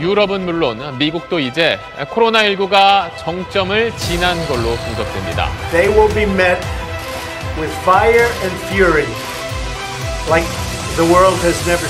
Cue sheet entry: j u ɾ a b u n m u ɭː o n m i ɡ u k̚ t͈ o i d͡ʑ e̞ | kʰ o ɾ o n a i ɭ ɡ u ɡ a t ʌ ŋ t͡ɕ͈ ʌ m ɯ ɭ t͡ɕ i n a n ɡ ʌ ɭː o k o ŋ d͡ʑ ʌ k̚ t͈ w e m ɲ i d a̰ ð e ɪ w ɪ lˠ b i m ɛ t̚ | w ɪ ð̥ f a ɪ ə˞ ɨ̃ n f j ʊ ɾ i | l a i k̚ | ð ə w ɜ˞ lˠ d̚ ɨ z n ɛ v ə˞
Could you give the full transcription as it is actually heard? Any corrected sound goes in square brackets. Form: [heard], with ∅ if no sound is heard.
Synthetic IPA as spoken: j u ɾ [ʌ] b [ɯ] n m u ɭː o n m i ɡ u k̚ t͈ o i d͡ʑ e̞ | kʰ o ɾ o n a i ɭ ɡ u ɡ a [t͡ɕ] ʌ ŋ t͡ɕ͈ ʌ m ɯ ɭ t͡ɕ i n a n ɡ ʌ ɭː o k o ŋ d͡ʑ ʌ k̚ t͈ w e m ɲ i d a̰ ð e ɪ w ɪ lˠ b i m ɛ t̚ | w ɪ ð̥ f a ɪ ə˞ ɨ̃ n f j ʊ [ɹ] i | l a [ɪ] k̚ | ð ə w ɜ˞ lˠ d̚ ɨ z n ɛ v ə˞